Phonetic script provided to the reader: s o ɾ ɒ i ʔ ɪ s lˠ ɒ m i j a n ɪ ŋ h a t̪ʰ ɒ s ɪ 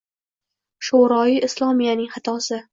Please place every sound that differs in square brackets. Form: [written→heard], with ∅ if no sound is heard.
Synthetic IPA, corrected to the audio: [s→ʃ] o ɾ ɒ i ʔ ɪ s lˠ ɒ m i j a n ɪ ŋ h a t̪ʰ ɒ s ɪ